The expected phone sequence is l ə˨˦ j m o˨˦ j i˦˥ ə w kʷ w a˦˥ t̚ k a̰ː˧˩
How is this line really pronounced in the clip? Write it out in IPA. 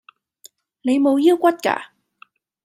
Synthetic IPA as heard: l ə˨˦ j m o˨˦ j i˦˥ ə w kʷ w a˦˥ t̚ k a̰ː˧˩